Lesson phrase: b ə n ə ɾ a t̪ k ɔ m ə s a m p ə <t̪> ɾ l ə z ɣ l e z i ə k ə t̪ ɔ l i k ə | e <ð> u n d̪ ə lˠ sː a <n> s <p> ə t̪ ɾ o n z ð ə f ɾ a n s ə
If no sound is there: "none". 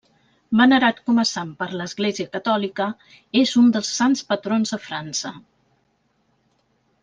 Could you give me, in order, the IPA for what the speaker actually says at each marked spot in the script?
none, z, n, p

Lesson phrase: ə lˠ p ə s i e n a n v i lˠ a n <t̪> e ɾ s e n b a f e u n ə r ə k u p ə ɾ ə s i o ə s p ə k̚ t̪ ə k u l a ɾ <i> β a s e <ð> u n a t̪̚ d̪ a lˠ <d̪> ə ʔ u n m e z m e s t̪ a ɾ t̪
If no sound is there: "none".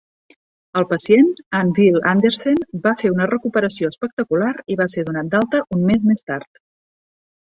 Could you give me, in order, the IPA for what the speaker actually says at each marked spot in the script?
d̪, i, ð, t̪

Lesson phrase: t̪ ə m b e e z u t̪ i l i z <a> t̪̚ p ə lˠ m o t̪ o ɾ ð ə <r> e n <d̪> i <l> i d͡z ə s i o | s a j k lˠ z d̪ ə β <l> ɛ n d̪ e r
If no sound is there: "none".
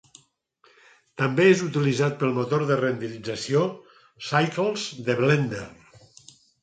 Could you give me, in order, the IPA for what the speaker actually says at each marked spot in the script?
a, r, d̪, l, l

